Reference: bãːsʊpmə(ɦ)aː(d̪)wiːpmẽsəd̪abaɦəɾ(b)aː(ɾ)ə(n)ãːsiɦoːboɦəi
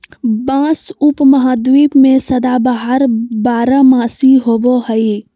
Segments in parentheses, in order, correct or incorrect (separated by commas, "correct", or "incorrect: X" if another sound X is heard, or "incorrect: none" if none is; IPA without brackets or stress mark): correct, correct, correct, correct, incorrect: m